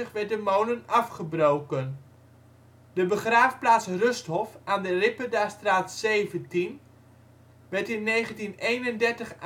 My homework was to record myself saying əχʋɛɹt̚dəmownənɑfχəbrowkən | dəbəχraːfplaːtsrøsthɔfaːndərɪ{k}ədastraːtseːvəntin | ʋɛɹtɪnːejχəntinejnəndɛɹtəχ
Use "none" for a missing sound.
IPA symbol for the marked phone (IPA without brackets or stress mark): p